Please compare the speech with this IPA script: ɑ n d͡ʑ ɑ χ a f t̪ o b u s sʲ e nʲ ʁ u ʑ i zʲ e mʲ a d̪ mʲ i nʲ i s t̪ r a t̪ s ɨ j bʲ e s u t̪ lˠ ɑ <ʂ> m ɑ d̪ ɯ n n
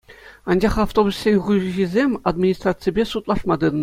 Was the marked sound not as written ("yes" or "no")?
no